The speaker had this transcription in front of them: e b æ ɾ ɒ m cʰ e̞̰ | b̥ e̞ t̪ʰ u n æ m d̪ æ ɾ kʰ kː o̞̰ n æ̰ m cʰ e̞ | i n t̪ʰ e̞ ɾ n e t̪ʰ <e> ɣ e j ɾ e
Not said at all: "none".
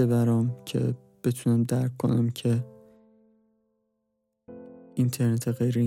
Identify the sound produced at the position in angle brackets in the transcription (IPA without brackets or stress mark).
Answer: e